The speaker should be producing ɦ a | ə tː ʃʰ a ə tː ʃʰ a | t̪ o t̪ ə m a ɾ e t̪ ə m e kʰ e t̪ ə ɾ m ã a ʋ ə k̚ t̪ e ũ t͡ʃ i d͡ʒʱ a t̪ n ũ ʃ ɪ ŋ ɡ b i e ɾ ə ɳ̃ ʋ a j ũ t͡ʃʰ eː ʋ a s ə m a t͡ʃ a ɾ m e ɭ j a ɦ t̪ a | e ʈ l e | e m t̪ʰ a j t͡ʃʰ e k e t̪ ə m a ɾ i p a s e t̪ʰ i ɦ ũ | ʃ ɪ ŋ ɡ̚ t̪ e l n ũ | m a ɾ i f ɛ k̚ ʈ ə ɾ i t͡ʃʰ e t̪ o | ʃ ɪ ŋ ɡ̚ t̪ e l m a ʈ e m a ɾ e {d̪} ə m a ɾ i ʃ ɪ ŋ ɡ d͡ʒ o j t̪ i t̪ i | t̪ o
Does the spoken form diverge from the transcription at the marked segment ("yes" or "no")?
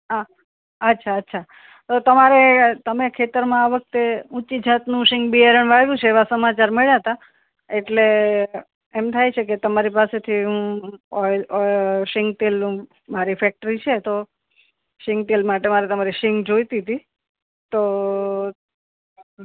yes